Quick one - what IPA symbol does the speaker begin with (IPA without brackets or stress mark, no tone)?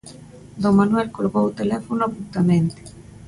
d̪